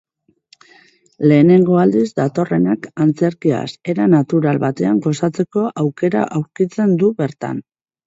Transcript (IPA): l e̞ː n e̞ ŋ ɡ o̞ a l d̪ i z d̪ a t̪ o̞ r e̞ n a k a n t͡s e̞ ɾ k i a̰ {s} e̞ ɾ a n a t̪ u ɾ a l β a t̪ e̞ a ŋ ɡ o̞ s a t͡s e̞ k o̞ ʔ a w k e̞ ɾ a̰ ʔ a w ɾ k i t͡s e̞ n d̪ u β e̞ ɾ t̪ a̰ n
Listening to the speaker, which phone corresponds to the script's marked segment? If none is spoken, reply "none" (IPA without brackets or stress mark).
s